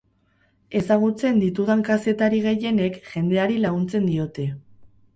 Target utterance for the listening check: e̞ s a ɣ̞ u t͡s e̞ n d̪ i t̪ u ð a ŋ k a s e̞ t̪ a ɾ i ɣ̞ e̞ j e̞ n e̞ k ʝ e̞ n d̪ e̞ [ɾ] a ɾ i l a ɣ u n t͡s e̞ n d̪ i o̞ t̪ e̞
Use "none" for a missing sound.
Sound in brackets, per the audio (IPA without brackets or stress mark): none